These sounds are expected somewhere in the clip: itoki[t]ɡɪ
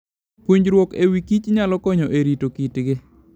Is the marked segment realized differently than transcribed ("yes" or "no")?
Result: no